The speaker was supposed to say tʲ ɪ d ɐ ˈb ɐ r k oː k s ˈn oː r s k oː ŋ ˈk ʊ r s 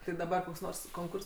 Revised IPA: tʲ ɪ d ɐ ˈb ɐ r k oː k s ˈn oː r s k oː ŋ ˈk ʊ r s